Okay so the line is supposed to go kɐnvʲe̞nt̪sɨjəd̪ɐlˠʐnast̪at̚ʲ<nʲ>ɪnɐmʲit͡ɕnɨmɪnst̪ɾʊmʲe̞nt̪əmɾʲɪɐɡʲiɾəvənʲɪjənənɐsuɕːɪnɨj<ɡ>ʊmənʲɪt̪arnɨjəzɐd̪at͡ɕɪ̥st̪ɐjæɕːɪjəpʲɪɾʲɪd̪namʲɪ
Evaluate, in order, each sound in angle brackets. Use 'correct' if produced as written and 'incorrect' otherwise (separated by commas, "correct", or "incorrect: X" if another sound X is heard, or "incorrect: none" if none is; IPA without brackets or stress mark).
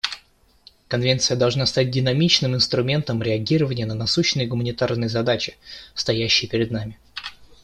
incorrect: dʲ, correct